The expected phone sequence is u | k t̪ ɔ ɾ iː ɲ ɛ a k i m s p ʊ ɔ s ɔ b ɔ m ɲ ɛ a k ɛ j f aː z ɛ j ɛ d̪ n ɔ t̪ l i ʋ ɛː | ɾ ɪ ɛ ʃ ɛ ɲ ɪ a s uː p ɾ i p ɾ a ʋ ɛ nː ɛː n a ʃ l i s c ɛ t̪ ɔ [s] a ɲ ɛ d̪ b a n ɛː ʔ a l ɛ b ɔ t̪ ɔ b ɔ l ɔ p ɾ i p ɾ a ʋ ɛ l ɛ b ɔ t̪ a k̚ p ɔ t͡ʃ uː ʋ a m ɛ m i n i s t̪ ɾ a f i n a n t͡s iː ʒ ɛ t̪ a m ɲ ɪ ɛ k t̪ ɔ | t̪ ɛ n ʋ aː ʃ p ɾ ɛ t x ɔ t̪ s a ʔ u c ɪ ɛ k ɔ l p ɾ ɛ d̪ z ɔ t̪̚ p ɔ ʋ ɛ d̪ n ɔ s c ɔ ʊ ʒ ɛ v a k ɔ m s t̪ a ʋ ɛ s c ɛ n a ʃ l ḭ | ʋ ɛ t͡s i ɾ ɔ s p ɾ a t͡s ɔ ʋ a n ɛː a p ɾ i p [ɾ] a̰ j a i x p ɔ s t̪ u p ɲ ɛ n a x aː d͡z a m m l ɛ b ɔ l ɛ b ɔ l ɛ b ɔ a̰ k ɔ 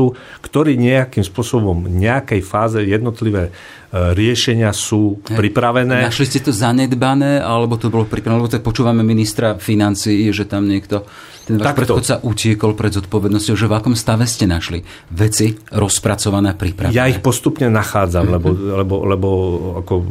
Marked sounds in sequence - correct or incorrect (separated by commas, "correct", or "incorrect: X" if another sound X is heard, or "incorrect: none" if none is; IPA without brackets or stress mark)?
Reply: incorrect: z, correct